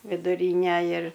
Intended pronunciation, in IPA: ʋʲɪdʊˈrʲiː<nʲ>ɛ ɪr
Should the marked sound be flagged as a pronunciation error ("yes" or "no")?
no